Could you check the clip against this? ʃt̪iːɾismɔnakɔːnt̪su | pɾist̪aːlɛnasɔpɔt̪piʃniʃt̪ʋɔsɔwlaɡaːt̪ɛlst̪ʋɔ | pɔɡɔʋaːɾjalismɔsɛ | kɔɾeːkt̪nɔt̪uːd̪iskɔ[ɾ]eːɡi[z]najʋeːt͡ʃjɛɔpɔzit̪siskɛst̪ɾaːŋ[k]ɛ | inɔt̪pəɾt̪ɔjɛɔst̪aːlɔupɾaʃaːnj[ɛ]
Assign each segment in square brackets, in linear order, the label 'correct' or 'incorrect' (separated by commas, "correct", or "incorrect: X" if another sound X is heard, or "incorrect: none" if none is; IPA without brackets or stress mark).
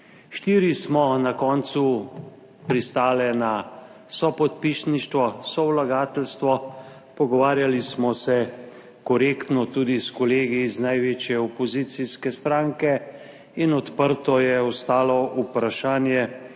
incorrect: l, correct, correct, correct